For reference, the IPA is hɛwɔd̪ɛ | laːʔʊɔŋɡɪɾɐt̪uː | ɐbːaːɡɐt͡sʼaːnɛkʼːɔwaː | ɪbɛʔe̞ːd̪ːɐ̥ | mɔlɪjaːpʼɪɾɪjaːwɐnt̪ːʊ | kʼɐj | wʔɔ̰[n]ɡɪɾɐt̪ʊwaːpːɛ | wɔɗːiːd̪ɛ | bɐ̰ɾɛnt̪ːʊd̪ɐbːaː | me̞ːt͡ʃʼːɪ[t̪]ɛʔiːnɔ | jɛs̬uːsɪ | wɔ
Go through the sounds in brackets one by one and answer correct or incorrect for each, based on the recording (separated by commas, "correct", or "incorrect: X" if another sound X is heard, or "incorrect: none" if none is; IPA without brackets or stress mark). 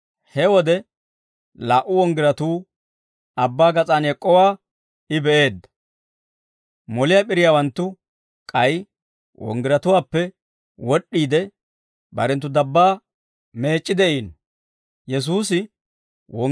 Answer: incorrect: ŋ, incorrect: d̪